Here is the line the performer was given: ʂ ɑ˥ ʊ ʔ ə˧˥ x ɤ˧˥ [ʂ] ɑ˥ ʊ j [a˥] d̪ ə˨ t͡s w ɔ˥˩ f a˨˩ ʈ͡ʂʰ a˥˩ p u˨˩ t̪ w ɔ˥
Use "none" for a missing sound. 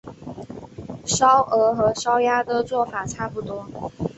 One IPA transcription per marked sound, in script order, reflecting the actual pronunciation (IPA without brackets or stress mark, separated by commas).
ʂ, a˥